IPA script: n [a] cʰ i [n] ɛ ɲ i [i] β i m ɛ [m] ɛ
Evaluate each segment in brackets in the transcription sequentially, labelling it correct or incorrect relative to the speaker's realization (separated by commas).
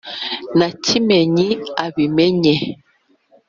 correct, incorrect, incorrect, incorrect